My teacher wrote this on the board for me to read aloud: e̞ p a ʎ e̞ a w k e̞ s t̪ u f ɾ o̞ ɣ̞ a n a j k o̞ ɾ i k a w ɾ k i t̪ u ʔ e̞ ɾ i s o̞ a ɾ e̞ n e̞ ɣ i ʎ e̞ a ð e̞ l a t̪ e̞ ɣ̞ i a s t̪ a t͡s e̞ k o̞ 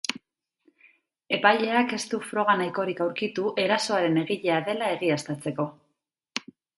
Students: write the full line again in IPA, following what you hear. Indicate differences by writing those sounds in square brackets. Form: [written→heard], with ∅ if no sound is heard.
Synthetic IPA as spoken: e̞ p a ʎ e̞ a [w→∅] k e̞ s t̪ u f ɾ o̞ ɣ̞ a n a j k o̞ ɾ i k a w ɾ k i t̪ u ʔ e̞ ɾ [i→a] s o̞ a ɾ e̞ n e̞ ɣ i ʎ e̞ a ð e̞ l a [t̪→∅] e̞ ɣ̞ i a s t̪ a t͡s e̞ k o̞